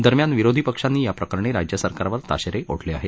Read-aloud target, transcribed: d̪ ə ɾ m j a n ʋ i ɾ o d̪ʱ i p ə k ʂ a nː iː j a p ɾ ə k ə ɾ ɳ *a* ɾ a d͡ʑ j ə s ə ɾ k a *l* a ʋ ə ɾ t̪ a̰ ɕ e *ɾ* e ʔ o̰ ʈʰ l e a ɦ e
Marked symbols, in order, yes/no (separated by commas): no, no, yes